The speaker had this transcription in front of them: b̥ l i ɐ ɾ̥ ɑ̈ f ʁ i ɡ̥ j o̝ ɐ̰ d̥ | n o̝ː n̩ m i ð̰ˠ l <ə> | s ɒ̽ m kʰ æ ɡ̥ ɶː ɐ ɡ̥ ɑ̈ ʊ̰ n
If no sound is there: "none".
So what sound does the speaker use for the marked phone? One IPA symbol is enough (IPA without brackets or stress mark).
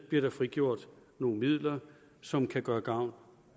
ɐ